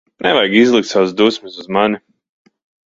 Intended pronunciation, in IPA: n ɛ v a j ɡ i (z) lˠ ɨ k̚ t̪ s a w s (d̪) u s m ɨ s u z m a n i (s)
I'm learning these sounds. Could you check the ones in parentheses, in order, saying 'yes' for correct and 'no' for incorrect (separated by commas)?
yes, yes, no